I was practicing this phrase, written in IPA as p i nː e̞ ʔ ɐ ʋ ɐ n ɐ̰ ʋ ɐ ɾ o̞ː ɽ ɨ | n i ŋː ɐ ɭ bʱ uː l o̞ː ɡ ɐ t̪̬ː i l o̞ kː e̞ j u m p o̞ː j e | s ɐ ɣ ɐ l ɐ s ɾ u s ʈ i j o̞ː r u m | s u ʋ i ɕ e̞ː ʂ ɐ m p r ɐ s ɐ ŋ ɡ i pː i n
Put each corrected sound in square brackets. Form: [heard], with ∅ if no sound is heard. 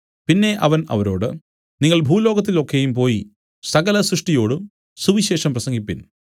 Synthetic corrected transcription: p i nː e̞ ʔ ɐ ʋ ɐ n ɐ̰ ʋ ɐ ɾ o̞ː ɽ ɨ | n i ŋː ɐ ɭ bʱ uː l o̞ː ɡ ɐ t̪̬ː i l o̞ kː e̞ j u m p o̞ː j [i] | s ɐ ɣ ɐ l ɐ s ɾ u [ʂ] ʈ i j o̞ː [ɽ] u m | s u ʋ i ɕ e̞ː ʂ ɐ m p r ɐ s ɐ ŋ ɡ i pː i n